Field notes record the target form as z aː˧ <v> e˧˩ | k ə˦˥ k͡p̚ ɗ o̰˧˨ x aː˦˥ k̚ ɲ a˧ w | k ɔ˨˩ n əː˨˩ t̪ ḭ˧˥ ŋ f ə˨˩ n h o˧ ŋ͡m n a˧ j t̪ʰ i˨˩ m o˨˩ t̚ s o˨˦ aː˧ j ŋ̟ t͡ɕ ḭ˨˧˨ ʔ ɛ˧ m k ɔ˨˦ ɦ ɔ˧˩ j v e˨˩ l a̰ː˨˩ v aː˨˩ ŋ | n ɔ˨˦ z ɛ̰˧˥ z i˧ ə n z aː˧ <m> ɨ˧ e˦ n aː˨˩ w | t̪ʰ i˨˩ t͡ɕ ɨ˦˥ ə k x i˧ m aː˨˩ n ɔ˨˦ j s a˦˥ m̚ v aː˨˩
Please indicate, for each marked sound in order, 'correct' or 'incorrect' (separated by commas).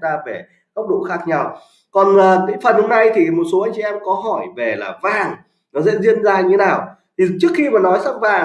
correct, incorrect